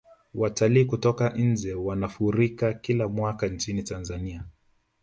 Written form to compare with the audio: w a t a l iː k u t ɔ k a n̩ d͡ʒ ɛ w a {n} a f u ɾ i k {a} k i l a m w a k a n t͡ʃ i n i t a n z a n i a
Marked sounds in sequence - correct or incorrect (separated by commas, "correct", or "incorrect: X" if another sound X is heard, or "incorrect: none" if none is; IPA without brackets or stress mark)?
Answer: correct, correct